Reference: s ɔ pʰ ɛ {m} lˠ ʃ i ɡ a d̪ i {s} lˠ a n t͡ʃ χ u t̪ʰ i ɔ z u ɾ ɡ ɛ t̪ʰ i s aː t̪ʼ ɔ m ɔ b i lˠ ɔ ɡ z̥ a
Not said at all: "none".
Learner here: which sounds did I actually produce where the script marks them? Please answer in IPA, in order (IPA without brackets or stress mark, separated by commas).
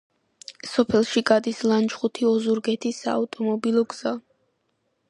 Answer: none, s